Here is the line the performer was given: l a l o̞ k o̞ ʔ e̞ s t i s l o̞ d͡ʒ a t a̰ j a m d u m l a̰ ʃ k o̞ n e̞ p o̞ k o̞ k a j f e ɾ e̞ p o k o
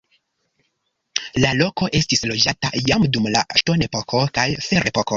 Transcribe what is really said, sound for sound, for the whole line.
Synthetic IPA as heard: l a l o̞ k o̞ ʔ e̞ s t i s l o̞ d͡ʒ a t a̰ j a m d u m l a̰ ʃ t o̞ n e̞ p o̞ k o̞ k a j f e ɾ e̞ p o k o